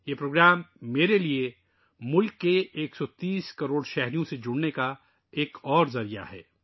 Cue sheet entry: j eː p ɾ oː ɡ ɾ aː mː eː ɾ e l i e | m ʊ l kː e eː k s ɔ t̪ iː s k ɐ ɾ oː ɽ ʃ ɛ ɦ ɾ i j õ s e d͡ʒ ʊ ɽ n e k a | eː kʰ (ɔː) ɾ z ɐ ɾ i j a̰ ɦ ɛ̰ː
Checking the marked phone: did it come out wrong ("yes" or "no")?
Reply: no